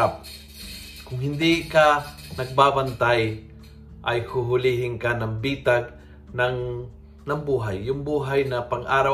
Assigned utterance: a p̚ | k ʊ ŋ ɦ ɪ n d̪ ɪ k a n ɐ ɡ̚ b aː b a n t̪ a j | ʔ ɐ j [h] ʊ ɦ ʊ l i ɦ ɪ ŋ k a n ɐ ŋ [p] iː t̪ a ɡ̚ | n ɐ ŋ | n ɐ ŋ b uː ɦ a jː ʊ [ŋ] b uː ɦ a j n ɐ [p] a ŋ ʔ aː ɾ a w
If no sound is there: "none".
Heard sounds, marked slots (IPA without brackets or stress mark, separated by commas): h, b, ŋ, p